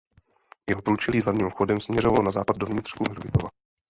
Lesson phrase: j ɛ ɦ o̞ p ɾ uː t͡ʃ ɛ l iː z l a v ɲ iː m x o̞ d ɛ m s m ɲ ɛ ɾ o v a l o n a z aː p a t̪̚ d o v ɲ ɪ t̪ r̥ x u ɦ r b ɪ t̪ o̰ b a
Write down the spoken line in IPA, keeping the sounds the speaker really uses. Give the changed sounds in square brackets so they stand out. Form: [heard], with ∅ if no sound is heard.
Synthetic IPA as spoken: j ɛ ɦ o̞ p ɾ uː t͡ʃ ɛ l iː z l a v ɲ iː m x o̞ d ɛ m s m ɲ ɛ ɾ o v a l o n a z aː p a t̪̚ d o v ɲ ɪ t̪ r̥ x u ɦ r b ɪ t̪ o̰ [v] a

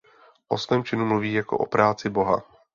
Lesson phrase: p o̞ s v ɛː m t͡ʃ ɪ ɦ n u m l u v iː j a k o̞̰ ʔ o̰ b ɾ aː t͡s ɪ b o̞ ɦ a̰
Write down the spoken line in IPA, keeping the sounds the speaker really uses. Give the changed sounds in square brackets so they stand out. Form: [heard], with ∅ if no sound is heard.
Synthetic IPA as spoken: [ʔ] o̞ s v ɛː m t͡ʃ ɪ [∅] n u m l u v iː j a k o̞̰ ʔ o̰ [p] ɾ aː t͡s ɪ b o̞ ɦ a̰

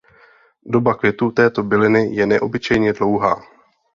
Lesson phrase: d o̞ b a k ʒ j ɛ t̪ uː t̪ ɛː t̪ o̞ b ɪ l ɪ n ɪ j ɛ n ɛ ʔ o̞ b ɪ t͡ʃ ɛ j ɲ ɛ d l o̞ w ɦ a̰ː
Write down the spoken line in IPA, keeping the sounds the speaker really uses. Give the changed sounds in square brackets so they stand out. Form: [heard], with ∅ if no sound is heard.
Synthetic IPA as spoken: d o̞ b a k [v] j ɛ t̪ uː t̪ ɛː t̪ o̞ b ɪ l ɪ n ɪ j ɛ n ɛ ʔ o̞ b ɪ t͡ʃ ɛ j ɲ ɛ d l o̞ w ɦ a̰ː

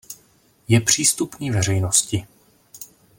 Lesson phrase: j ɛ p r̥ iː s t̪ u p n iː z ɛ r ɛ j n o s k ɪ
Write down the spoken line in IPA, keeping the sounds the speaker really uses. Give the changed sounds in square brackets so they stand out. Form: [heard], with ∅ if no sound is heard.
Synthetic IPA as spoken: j ɛ p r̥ iː s t̪ u p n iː [v] ɛ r ɛ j n o s [c] ɪ

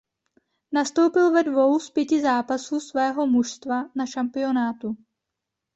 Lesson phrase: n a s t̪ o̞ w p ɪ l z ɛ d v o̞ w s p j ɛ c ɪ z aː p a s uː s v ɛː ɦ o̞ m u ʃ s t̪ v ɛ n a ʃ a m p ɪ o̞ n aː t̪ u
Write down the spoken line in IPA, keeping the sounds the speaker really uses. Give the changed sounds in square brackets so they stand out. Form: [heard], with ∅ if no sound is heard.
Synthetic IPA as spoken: n a s t̪ o̞ w p ɪ l [v] ɛ d v o̞ w s p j ɛ c ɪ z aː p a s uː s v ɛː ɦ o̞ m u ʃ s t̪ v [a] n a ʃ a m p ɪ o̞ n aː t̪ u

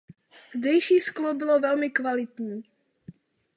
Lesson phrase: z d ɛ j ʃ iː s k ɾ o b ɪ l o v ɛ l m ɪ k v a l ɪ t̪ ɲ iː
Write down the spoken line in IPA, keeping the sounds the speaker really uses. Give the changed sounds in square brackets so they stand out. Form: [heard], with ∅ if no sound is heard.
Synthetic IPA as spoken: z d ɛ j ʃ iː s k [l] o b ɪ l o v ɛ l m ɪ k v a l ɪ t̪ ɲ iː

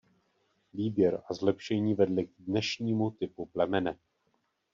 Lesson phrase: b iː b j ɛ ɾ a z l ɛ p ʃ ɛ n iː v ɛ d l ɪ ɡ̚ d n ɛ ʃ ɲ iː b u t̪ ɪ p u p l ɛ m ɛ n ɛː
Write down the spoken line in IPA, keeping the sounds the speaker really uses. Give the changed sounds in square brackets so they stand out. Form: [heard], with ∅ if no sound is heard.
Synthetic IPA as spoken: [v] iː b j ɛ ɾ a z l ɛ p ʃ ɛ [ɲ] iː v ɛ d l ɪ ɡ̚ d n ɛ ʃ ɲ iː [m] u t̪ ɪ p u p l ɛ m ɛ n [ɛ]

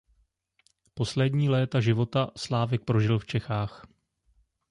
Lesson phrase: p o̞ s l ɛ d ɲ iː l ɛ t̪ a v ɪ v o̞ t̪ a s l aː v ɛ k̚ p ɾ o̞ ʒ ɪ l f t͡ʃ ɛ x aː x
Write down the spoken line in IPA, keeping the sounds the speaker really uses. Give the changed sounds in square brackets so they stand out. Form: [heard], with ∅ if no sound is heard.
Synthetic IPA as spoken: p o̞ s l ɛ d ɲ iː l [ɛː] t̪ a [ʒ] ɪ v o̞ t̪ a s l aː v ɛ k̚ p ɾ o̞ ʒ ɪ l f t͡ʃ ɛ x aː x

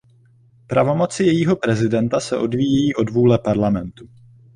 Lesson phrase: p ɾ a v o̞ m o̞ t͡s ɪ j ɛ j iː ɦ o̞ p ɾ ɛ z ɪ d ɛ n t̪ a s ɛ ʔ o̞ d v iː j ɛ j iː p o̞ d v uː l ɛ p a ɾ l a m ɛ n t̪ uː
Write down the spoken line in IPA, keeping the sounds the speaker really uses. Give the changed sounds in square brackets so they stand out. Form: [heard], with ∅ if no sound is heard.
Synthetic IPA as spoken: p ɾ a v o̞ m o̞ t͡s ɪ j ɛ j iː ɦ o̞ p ɾ ɛ z ɪ d ɛ n t̪ a s ɛ ʔ o̞ d v iː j ɛ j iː [ʔ] o̞ d v uː l ɛ p a ɾ l a m ɛ n t̪ [u]

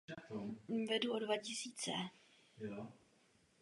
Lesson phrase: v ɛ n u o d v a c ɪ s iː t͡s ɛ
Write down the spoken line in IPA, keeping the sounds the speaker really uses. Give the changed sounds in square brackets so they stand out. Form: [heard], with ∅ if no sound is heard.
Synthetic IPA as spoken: v ɛ [d] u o d v a c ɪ s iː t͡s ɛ

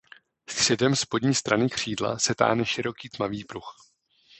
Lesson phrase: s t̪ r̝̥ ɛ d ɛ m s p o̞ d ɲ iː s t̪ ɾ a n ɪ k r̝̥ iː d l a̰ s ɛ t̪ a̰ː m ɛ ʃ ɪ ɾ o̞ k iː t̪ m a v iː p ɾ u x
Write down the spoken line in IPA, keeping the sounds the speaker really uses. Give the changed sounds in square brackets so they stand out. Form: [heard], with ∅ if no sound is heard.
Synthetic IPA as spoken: s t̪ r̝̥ ɛ d ɛ m s p o̞ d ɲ iː s t̪ ɾ a n ɪ k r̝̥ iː d l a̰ s ɛ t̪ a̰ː [n] ɛ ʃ ɪ ɾ o̞ k iː t̪ m a v iː p ɾ u x

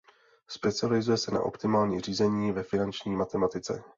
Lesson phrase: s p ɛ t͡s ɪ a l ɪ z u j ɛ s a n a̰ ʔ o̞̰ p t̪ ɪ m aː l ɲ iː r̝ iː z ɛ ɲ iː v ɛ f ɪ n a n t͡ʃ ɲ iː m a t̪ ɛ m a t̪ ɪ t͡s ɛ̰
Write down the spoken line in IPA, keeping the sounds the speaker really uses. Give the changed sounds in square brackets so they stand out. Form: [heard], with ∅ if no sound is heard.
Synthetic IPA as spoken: s p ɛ t͡s ɪ a l ɪ z u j ɛ s [ɛ] n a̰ ʔ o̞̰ p t̪ ɪ m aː l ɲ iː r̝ iː z ɛ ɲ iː v ɛ f ɪ n a n t͡ʃ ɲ iː m a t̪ ɛ m a t̪ ɪ t͡s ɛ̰

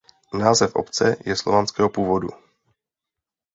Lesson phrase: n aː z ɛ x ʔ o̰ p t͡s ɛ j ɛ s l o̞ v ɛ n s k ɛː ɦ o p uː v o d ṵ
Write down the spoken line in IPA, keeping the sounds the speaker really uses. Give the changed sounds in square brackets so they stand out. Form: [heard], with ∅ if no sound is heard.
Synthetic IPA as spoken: n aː z ɛ [f] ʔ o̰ p t͡s ɛ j ɛ s l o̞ v [a] n s k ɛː ɦ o p uː v o d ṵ

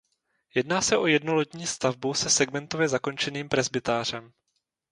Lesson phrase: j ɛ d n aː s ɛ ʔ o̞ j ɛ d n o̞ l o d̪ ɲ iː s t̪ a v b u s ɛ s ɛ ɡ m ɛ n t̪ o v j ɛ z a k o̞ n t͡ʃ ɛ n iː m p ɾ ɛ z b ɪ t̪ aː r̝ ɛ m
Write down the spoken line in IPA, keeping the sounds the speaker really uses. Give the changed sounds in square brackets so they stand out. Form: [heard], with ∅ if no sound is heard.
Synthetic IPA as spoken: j ɛ d n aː s ɛ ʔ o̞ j ɛ d n o̞ l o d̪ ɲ iː s t̪ a v b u s ɛ s ɛ ɡ m ɛ n t̪ o v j ɛ z a k o̞ n t͡ʃ ɛ n iː m p ɾ ɛ z b ɪ t̪ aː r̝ ɛ m

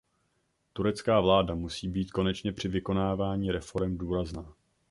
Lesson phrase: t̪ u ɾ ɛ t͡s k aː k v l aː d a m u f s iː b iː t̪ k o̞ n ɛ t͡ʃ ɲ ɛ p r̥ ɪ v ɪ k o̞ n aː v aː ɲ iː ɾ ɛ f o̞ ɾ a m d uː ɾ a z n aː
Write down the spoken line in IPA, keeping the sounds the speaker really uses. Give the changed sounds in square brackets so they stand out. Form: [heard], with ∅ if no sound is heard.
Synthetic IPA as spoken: t̪ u ɾ ɛ t͡s k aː [∅] v l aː d a m u [∅] s iː b iː t̪ k o̞ n ɛ t͡ʃ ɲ ɛ p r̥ ɪ v ɪ k o̞ n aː v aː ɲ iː ɾ ɛ f o̞ ɾ [ɛ] m d uː ɾ a z n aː

